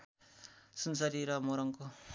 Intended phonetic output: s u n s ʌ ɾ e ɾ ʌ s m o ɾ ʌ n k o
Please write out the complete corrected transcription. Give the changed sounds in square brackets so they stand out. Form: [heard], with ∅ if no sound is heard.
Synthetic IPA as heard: s u n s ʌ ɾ [i] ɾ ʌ [∅] m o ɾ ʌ [ŋ] k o